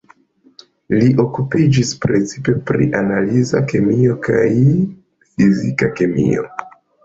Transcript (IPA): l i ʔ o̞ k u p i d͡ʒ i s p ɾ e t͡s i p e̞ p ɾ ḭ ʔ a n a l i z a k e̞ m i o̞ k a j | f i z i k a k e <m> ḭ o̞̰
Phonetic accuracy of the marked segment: correct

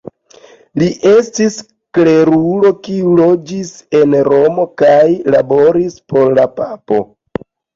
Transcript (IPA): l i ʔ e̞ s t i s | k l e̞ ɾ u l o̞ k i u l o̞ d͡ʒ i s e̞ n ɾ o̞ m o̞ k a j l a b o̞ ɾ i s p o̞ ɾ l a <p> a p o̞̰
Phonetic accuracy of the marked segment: correct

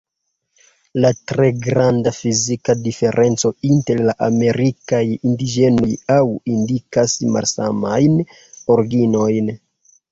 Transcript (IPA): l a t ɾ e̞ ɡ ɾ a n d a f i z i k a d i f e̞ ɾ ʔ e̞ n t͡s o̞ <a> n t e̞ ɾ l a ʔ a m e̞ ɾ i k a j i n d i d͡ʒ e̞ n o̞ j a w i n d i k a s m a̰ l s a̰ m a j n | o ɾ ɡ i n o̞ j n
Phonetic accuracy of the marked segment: incorrect: i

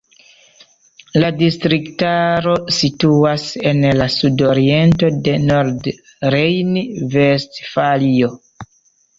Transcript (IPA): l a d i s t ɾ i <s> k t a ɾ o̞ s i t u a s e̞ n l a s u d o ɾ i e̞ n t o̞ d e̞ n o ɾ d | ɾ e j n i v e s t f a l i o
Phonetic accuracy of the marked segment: incorrect: none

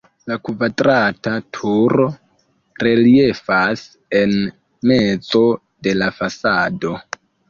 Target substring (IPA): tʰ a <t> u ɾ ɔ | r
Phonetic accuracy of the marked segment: incorrect: tʰ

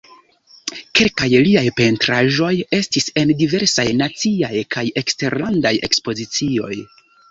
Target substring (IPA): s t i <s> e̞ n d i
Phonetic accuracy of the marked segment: correct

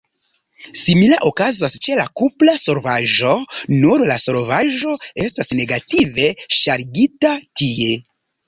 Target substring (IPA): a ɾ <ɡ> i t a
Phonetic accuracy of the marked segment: correct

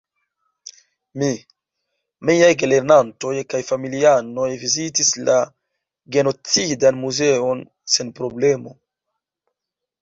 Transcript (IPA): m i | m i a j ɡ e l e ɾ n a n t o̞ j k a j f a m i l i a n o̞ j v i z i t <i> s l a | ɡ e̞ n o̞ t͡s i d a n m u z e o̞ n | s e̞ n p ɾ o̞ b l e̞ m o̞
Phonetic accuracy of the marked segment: correct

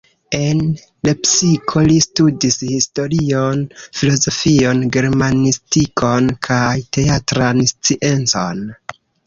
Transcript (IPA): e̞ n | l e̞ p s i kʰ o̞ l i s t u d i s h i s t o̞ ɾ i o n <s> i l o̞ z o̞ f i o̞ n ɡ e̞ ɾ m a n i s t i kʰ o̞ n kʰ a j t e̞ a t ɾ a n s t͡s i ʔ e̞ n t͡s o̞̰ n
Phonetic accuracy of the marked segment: incorrect: f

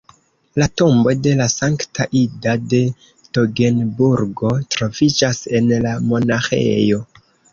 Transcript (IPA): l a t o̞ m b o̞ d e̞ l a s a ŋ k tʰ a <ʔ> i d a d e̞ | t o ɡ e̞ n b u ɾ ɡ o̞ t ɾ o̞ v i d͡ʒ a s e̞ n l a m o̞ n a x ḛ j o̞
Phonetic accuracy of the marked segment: correct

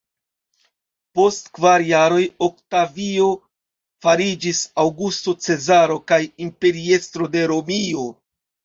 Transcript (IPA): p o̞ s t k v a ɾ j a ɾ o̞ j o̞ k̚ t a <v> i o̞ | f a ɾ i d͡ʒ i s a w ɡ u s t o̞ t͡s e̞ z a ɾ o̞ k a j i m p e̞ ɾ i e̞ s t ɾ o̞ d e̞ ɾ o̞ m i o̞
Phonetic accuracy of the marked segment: correct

